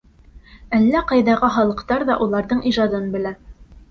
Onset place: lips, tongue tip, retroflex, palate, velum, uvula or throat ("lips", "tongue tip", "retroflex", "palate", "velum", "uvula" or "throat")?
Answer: tongue tip